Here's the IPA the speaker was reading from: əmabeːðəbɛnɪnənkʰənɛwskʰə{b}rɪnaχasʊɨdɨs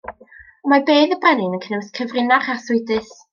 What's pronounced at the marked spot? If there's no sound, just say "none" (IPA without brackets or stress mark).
v